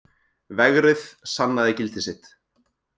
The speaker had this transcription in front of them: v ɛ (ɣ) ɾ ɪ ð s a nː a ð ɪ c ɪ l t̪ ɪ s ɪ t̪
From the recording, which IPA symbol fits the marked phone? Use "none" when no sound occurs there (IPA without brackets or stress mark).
ɣ